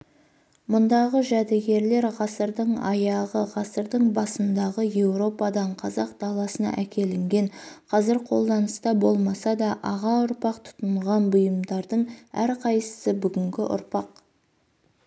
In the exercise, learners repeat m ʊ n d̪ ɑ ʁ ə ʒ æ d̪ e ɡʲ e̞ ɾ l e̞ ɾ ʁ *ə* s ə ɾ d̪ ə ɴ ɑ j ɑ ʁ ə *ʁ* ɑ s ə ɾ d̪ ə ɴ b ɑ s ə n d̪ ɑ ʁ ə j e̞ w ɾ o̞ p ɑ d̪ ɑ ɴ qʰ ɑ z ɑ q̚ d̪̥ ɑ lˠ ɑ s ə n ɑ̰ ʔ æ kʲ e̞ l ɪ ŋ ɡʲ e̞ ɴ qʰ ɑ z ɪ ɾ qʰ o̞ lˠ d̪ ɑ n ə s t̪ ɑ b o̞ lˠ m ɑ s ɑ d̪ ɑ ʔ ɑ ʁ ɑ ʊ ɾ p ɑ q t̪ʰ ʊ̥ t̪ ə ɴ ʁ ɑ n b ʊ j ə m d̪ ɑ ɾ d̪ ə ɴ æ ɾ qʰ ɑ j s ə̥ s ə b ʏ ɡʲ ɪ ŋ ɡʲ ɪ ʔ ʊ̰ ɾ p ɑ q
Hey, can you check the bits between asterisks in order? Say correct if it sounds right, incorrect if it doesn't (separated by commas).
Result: incorrect, correct